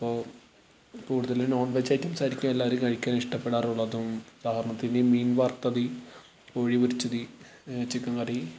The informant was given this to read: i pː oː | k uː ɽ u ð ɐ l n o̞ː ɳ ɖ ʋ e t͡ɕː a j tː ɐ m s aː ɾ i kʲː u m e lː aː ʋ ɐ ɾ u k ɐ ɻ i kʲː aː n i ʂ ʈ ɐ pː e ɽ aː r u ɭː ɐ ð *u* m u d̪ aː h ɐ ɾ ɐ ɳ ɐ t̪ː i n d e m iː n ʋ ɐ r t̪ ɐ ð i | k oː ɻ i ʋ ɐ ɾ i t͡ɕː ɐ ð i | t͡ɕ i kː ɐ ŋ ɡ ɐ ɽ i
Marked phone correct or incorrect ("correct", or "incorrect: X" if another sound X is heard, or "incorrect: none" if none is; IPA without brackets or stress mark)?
correct